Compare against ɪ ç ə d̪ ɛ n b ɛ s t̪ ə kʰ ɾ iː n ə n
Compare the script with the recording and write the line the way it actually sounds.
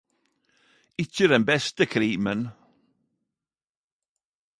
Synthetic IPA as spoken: ɪ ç ə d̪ ɛ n b ɛ s t̪ ə kʰ ɾ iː m ə n